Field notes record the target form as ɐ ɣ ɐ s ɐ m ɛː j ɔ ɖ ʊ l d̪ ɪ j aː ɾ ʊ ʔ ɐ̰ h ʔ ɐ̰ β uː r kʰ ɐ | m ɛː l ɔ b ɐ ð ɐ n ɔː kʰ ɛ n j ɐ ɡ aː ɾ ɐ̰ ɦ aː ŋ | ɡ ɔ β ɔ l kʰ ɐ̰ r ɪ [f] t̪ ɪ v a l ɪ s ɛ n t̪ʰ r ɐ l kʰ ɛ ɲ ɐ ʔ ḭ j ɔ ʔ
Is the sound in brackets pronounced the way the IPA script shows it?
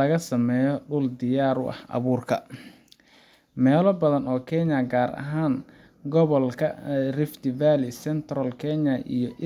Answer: yes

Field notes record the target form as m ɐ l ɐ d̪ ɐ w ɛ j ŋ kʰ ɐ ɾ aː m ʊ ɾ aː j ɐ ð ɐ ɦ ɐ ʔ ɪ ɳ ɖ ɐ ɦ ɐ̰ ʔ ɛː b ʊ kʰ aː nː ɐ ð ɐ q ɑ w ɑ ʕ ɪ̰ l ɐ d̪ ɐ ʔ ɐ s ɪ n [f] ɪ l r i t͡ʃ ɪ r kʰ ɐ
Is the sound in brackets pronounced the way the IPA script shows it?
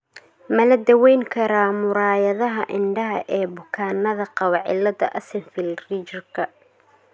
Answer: yes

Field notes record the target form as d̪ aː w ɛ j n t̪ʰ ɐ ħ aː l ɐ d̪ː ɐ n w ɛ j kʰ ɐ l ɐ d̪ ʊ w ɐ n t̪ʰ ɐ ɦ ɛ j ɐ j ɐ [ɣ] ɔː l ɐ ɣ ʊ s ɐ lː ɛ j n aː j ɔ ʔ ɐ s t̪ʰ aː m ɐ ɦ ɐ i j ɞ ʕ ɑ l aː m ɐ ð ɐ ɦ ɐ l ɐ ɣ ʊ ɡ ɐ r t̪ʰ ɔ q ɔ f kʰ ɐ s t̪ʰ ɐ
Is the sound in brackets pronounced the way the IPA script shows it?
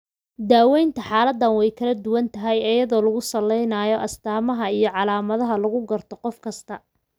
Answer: no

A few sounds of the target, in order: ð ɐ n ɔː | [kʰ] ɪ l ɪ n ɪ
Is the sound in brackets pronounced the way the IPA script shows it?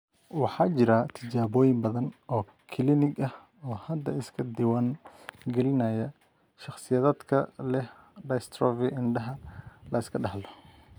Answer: yes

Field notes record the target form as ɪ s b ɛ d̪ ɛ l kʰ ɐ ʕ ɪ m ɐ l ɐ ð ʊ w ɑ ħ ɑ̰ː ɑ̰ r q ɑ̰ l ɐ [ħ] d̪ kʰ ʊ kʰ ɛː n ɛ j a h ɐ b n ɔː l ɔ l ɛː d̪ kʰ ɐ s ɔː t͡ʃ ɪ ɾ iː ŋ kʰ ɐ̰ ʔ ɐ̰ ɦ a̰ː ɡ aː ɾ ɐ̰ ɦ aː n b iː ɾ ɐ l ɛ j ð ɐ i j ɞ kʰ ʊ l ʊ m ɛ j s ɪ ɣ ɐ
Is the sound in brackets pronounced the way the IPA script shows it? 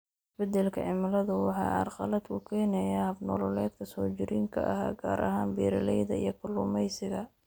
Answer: no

